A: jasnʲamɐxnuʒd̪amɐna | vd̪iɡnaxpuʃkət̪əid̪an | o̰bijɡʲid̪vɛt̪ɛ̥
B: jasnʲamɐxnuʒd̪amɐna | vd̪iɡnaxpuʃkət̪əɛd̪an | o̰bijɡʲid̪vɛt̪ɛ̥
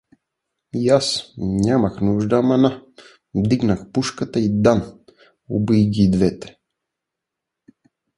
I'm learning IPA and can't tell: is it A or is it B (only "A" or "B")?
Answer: A